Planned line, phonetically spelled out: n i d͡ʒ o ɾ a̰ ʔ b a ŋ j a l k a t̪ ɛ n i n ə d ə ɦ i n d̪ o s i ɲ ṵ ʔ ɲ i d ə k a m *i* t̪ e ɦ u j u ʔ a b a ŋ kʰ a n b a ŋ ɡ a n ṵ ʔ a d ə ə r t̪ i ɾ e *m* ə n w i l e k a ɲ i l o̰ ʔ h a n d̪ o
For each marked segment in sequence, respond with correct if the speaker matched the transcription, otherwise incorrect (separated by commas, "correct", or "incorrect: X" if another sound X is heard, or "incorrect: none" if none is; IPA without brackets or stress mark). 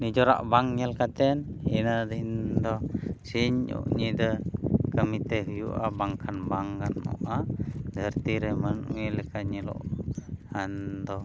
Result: correct, correct